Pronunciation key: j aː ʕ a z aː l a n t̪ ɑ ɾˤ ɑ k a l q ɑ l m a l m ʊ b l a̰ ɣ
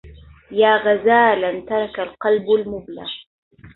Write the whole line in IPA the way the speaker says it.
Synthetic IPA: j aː ɣ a z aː l a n t̪ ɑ ɾˤ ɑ k a l q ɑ l b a l m ʊ b l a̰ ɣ